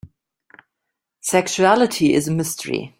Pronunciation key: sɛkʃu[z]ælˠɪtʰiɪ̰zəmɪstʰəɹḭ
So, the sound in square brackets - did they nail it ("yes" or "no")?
no